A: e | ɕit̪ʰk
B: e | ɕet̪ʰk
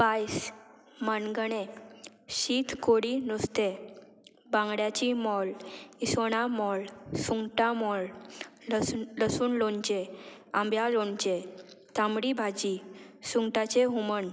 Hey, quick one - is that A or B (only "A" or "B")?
A